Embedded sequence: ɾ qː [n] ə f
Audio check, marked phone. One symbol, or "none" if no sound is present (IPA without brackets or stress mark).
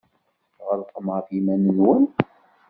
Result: m